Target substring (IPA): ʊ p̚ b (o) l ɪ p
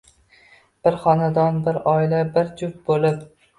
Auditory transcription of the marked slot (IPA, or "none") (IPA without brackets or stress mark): o